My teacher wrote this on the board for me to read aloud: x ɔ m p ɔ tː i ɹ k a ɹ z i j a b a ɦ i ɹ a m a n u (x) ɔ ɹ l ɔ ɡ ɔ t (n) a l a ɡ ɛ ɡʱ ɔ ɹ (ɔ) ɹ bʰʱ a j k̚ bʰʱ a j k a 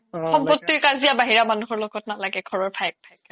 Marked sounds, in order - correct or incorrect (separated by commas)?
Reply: correct, correct, correct